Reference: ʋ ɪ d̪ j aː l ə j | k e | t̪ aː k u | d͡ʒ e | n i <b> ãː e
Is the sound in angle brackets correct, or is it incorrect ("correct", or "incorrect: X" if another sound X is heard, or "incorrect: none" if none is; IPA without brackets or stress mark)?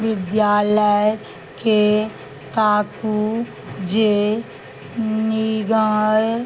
incorrect: ɡ